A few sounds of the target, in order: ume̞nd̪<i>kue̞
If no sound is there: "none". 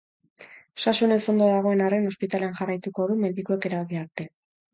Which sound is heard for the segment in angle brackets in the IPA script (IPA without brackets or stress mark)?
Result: i